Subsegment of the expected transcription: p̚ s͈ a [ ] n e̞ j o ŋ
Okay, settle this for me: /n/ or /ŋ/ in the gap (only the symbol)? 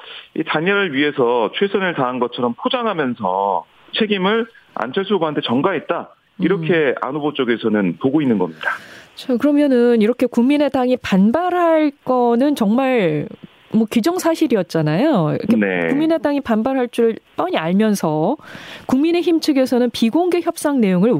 ŋ